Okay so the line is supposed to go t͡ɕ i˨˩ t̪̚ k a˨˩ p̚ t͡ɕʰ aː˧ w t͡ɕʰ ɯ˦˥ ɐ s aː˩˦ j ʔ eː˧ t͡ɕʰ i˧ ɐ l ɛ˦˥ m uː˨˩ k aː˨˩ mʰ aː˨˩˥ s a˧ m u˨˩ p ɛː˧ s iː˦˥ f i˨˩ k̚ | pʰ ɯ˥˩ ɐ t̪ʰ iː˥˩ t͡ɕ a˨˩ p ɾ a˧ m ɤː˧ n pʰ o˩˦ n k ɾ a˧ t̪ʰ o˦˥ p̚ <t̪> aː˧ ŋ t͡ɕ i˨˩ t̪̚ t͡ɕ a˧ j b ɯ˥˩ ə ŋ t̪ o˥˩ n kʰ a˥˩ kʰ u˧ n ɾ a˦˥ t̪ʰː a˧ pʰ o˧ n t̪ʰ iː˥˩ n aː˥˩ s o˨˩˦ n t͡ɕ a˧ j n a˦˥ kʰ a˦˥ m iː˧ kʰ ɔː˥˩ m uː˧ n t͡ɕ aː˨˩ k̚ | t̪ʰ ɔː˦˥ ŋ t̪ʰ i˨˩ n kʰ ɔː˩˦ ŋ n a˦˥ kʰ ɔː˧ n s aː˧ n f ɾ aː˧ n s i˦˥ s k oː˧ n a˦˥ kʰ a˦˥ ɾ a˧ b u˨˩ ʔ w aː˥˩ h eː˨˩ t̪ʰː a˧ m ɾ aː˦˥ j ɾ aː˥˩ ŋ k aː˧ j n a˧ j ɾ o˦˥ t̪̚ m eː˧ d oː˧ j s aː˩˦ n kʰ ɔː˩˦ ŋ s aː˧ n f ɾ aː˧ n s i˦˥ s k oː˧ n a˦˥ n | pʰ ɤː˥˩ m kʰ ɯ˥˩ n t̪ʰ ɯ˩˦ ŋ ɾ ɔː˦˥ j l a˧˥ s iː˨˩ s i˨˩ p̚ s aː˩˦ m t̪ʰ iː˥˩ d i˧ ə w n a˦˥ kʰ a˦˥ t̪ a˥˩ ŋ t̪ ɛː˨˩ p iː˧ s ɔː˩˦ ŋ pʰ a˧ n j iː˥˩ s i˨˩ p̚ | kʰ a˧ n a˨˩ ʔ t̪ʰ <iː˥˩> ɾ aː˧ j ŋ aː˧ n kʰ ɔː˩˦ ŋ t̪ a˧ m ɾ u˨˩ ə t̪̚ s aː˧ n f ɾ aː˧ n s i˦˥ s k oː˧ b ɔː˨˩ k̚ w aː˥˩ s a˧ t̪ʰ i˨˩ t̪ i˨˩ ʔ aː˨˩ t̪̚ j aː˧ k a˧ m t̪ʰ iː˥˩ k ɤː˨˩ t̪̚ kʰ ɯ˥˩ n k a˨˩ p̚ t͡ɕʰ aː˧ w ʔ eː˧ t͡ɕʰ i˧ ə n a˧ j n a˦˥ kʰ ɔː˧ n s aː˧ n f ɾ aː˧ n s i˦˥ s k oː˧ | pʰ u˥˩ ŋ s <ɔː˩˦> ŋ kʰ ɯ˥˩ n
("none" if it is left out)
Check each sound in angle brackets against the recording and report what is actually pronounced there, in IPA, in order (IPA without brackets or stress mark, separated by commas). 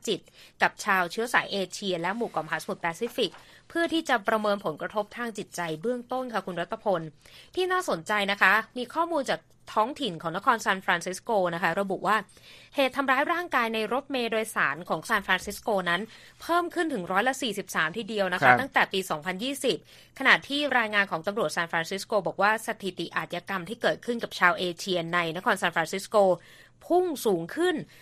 t̪ʰ, iː˥˩, uː˩˦